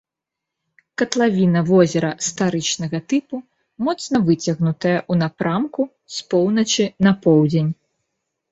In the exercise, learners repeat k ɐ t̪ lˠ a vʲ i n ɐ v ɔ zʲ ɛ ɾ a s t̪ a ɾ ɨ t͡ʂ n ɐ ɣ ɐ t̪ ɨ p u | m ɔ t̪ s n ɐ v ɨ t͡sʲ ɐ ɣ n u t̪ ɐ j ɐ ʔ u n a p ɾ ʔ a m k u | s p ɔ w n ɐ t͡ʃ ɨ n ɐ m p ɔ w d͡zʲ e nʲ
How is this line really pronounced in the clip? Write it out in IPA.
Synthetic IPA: k ɐ t̪ lˠ a vʲ i n ɐ v ɔ zʲ ɛ ɾ ɐ s t̪ a ɾ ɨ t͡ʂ n ɐ ɣ ɐ t̪ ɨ p u | m ɔ t̪ s n ɐ v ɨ t͡sʲ ɐ ɣ n u t̪ ɐ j ɐ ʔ u n a p ɾ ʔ a m k u | s p ɔ w n ɐ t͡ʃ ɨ n ɐ p ɔ w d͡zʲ e nʲ